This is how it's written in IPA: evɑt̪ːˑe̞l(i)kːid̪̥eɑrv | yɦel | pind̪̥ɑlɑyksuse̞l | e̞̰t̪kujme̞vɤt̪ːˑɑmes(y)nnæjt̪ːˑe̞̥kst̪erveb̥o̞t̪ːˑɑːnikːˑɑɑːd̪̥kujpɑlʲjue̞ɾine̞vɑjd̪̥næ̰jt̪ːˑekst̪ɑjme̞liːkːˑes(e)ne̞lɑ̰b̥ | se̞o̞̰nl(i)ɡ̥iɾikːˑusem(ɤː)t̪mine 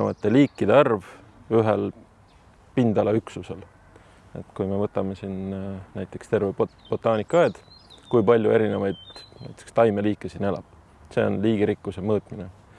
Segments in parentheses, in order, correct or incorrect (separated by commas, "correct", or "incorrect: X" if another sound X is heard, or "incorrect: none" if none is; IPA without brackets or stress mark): incorrect: iː, incorrect: i, incorrect: i, incorrect: iː, correct